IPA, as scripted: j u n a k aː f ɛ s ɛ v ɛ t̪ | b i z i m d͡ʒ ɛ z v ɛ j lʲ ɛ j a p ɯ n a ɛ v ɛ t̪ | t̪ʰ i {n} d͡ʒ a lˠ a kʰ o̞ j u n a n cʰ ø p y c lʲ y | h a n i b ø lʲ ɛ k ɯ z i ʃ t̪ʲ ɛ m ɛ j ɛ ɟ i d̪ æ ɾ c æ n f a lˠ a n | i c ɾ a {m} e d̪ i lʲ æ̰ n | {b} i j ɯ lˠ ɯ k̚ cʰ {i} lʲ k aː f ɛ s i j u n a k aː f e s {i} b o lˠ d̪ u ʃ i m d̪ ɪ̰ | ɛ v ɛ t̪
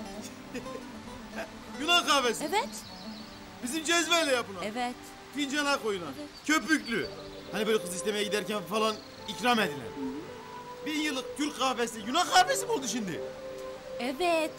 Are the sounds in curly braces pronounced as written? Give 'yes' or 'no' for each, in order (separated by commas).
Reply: yes, yes, yes, no, yes